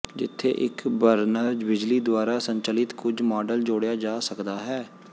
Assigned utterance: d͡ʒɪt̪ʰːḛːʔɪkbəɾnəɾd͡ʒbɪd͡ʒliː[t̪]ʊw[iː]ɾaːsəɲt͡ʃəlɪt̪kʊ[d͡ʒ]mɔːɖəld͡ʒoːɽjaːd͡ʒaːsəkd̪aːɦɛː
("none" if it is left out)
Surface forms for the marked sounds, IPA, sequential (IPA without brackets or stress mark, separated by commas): d̪, aː, d͡ʒ